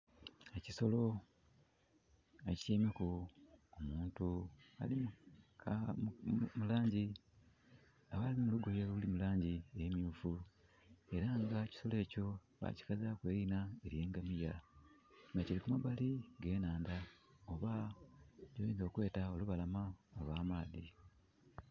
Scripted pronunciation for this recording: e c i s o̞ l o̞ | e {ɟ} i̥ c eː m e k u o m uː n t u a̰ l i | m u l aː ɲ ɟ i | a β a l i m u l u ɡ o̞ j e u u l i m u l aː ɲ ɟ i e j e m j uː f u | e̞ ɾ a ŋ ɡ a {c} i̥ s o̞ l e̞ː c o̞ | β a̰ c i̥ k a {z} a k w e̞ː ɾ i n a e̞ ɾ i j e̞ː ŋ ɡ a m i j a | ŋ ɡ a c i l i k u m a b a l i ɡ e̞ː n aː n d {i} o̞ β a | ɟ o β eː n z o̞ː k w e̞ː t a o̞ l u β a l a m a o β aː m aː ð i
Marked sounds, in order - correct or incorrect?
incorrect, correct, correct, incorrect

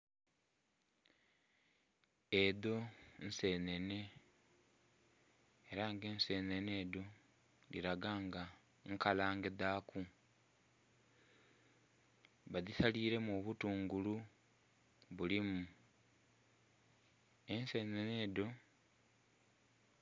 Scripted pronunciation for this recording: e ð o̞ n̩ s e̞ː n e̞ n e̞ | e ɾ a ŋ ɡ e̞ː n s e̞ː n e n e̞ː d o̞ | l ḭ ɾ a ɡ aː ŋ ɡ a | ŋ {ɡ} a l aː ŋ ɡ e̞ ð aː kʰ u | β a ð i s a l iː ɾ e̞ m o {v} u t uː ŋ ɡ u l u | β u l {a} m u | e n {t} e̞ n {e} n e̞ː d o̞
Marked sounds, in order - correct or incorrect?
incorrect, incorrect, incorrect, incorrect, correct

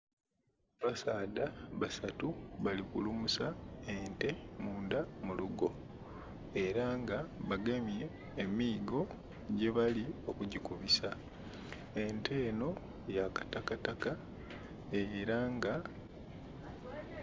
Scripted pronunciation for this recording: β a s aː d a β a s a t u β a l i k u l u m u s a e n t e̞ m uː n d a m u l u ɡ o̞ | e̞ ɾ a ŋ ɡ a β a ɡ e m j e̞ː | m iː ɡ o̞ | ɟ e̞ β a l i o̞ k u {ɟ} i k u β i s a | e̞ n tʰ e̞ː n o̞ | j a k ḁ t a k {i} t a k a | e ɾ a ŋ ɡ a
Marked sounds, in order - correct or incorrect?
correct, incorrect

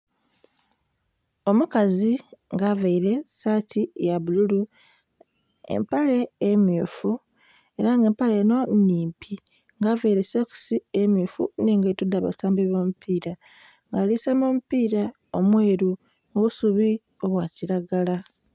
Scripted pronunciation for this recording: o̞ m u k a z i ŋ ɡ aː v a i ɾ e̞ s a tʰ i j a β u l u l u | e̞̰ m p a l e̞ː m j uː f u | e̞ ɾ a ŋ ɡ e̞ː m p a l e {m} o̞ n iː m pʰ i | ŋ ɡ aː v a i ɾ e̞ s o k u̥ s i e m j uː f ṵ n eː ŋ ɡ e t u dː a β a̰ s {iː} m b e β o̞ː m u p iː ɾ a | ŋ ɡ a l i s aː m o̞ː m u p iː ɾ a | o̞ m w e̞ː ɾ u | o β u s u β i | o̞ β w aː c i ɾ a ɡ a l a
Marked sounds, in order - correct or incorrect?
incorrect, incorrect

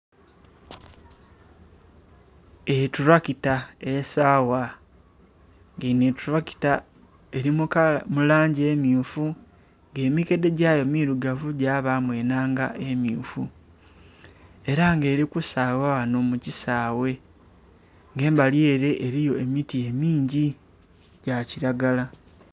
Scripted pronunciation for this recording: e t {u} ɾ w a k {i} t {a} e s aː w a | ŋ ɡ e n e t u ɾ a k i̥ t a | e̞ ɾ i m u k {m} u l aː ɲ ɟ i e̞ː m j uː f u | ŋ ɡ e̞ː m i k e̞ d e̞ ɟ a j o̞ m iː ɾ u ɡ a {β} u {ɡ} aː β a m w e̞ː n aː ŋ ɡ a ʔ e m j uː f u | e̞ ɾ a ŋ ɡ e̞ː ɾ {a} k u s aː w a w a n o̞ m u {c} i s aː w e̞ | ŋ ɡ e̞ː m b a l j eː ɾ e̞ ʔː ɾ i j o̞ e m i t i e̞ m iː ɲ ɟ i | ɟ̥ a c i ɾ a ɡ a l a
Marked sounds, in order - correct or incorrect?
correct, correct, correct, correct, incorrect, incorrect, incorrect, correct

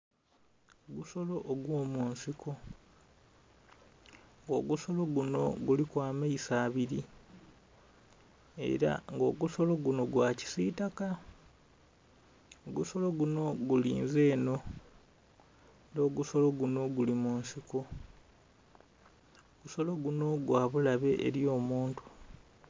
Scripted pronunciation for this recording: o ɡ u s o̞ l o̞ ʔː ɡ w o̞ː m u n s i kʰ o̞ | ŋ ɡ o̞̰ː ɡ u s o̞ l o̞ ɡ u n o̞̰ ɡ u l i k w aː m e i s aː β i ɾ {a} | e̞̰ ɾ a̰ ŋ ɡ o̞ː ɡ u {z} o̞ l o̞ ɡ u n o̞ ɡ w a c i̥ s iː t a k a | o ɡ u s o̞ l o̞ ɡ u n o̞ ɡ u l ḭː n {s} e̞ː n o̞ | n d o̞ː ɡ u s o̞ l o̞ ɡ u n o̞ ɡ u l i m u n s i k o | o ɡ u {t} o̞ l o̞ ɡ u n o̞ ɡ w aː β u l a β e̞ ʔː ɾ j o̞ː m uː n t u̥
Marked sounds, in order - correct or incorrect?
incorrect, incorrect, incorrect, incorrect

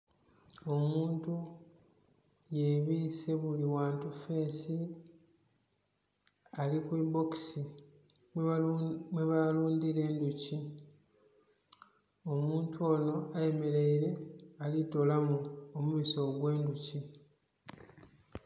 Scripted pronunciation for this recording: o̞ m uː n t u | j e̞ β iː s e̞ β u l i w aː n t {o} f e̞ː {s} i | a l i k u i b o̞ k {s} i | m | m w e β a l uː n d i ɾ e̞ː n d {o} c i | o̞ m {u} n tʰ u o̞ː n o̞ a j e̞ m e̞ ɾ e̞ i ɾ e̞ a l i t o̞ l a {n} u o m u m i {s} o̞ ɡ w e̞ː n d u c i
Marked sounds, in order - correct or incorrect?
incorrect, correct, correct, incorrect, incorrect, incorrect, correct

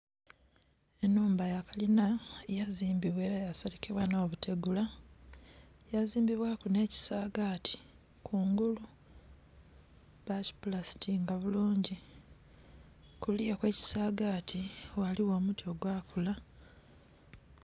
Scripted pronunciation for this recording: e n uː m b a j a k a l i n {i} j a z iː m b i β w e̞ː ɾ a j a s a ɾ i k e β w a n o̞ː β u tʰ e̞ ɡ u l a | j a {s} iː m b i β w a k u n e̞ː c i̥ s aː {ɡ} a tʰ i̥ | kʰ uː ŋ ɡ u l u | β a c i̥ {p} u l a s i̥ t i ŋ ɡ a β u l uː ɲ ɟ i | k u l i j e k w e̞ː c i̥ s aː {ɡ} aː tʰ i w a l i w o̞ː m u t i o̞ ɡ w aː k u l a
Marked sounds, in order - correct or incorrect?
incorrect, incorrect, correct, correct, correct

